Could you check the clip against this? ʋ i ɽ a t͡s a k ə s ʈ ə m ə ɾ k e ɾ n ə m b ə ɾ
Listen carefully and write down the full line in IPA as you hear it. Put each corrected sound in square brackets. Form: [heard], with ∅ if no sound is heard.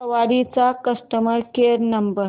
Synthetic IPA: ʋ [a] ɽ [i] t͡s a k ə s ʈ ə m ə ɾ k e ɾ n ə m b ə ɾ